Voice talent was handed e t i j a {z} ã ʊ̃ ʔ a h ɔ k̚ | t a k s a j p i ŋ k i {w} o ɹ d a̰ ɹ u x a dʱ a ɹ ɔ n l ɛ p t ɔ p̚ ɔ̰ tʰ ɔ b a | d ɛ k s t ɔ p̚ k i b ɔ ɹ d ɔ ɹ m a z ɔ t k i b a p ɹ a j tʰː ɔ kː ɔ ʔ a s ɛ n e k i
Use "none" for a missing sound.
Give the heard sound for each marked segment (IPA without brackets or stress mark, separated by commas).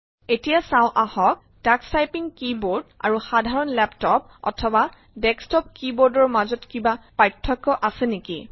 s, b